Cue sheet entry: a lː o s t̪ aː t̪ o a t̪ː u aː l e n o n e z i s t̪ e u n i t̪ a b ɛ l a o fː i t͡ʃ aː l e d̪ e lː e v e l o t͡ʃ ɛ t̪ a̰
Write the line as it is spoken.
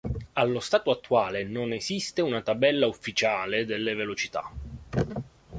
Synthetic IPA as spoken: a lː o s t̪ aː t̪ o a t̪ː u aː l e n o n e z i s t̪ e u n a t̪ a b ɛ lː a u fː i t͡ʃ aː l e d̪ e lː e v e l o t͡ʃ i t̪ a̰